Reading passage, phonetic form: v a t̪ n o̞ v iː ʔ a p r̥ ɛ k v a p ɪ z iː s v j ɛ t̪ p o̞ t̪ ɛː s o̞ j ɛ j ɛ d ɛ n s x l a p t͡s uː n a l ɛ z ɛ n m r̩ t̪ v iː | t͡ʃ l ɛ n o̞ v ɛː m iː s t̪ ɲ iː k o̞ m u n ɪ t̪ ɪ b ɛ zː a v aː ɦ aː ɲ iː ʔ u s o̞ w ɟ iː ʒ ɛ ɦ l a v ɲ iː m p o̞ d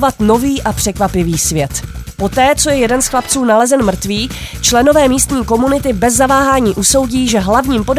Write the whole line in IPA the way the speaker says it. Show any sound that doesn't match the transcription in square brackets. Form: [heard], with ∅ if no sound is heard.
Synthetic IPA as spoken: v a t̪ n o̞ v iː ʔ a p r̥ ɛ k v a p ɪ [v] iː s v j ɛ t̪ p o̞ t̪ ɛː [t͡s] o̞ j ɛ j ɛ d ɛ n s x l a p t͡s uː n a l ɛ z ɛ n m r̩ t̪ v iː | t͡ʃ l ɛ n o̞ v ɛː m iː s t̪ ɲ iː k o̞ m u n ɪ t̪ ɪ b ɛ zː a v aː ɦ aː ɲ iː ʔ u s o̞ w ɟ iː ʒ ɛ ɦ l a v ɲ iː m p o̞ d